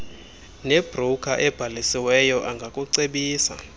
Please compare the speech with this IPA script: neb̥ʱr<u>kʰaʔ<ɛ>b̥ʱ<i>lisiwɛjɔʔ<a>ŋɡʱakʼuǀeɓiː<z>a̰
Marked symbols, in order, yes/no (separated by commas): yes, yes, no, yes, no